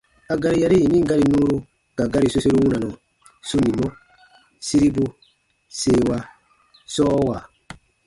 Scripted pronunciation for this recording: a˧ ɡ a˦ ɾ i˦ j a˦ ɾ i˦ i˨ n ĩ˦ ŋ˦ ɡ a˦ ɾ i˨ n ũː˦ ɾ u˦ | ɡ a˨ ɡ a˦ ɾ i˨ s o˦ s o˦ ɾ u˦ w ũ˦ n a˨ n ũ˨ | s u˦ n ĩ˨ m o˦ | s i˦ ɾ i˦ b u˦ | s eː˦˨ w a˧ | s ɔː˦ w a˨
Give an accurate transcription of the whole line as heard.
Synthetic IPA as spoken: a˧ ɡ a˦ ɾ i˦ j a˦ ɾ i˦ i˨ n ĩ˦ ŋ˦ ɡ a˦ ɾ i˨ n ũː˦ ɾ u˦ | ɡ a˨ ɡ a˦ ɾ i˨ s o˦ s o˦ ɾ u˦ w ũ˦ n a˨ n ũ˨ | s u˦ n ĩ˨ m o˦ | s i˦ ɾ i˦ b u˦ | s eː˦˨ w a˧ | s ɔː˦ w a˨